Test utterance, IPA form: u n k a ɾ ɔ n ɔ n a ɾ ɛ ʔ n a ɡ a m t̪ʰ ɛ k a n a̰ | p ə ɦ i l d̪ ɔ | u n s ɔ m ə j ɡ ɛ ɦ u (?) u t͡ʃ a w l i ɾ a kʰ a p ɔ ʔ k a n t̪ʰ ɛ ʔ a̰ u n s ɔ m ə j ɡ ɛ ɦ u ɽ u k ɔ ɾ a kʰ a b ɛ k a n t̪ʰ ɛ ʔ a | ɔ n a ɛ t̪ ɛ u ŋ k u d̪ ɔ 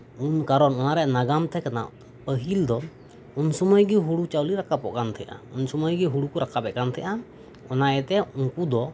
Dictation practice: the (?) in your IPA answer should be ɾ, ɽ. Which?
ɽ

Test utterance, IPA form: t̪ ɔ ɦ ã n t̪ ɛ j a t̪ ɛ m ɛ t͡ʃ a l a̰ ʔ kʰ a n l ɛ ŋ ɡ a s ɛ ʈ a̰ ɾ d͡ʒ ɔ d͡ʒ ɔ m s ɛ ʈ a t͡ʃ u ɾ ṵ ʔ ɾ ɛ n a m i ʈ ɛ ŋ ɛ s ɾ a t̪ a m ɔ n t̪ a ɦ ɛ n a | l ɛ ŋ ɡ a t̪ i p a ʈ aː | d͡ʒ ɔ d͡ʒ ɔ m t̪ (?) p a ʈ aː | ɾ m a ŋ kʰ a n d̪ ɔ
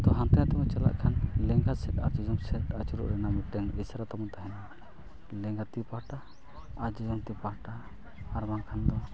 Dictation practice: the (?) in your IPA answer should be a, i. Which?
i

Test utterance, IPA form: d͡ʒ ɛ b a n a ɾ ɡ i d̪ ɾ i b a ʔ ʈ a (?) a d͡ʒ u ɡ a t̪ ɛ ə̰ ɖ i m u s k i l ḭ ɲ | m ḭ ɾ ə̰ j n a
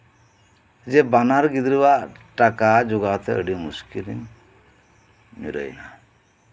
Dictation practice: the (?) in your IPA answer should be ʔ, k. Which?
k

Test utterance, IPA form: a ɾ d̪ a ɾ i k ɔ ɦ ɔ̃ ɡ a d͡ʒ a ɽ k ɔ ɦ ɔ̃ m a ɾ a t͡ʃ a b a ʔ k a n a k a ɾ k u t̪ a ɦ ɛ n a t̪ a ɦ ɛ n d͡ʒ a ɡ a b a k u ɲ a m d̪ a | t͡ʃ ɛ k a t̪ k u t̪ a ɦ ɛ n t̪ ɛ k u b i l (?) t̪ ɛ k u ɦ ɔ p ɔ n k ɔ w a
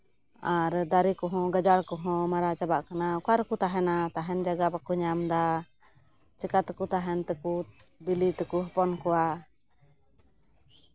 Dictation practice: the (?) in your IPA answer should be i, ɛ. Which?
i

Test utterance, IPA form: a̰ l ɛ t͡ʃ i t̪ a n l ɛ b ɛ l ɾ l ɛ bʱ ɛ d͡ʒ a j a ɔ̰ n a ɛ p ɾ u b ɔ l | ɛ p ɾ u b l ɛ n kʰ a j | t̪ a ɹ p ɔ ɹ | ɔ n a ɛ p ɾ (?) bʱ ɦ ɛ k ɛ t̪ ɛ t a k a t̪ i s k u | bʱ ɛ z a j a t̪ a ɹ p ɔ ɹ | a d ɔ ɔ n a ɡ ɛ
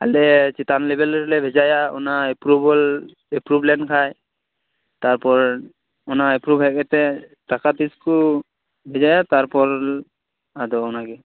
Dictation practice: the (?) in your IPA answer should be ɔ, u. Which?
u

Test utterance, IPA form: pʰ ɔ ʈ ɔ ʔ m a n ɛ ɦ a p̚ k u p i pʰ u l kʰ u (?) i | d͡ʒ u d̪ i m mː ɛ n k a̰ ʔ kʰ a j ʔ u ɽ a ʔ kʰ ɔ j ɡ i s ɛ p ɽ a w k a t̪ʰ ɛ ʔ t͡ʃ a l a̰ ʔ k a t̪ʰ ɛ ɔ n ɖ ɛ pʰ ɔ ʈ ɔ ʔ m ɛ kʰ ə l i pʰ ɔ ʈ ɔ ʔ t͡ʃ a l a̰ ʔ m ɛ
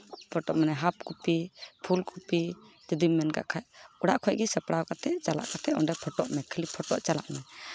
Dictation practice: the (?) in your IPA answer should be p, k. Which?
p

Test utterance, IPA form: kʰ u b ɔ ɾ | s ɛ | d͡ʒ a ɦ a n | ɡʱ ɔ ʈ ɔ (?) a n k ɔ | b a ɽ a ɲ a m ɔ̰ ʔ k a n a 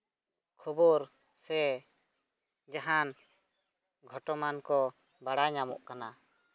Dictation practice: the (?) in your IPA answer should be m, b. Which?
m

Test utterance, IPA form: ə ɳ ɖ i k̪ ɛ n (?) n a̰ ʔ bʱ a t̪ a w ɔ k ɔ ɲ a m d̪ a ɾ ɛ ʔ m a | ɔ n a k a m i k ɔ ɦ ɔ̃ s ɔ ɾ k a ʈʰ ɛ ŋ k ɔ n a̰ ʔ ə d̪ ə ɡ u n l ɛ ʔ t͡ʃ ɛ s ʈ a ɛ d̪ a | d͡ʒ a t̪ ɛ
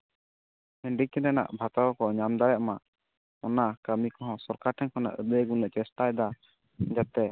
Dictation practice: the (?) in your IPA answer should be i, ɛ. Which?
ɛ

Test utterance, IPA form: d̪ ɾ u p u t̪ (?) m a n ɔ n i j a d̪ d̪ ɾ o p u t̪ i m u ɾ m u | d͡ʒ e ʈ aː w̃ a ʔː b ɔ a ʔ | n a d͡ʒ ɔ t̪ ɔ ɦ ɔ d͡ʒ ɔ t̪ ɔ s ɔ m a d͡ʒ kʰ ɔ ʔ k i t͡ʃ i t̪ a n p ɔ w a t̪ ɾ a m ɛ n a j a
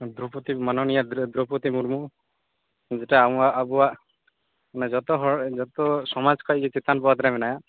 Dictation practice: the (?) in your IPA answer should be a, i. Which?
i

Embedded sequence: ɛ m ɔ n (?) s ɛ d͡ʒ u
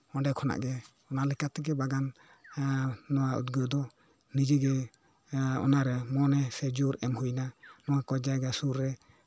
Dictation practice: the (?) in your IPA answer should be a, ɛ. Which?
ɛ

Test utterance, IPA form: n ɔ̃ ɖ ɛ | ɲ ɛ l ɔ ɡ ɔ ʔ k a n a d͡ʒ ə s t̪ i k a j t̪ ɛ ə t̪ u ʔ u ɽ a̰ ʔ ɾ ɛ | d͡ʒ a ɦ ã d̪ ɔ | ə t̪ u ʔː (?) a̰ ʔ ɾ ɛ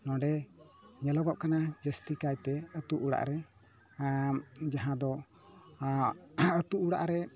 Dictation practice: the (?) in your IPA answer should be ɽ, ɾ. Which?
ɽ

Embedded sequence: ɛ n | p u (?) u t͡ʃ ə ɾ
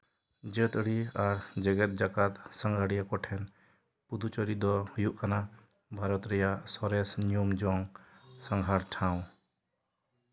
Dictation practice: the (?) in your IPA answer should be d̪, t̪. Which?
d̪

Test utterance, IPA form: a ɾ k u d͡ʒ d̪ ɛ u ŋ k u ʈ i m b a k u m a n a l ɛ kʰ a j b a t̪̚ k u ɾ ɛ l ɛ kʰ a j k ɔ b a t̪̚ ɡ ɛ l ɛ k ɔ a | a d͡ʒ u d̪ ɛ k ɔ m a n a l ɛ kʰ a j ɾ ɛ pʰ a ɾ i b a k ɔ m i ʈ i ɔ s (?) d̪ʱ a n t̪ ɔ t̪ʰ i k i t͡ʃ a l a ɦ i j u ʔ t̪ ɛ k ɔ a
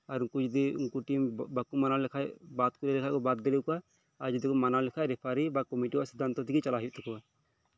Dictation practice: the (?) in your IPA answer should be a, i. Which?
i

